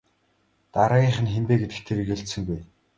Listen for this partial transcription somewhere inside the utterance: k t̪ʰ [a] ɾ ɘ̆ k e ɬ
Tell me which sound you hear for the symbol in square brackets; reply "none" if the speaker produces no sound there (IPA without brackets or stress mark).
e